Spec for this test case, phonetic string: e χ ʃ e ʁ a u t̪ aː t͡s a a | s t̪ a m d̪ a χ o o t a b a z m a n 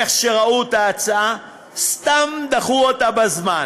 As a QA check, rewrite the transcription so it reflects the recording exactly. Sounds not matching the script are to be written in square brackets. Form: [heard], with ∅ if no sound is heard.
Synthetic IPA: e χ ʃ e ʁ a u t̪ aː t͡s a a | s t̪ a m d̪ a χ [u] o t a b a z m a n